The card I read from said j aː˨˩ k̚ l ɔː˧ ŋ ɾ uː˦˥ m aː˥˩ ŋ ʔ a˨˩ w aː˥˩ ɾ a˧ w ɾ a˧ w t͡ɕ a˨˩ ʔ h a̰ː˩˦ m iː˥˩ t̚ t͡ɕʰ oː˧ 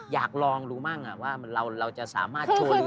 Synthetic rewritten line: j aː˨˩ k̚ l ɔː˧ ŋ ɾ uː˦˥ m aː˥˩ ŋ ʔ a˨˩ w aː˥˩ ɾ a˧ w ɾ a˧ w t͡ɕ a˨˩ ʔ s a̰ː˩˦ m aː˥˩ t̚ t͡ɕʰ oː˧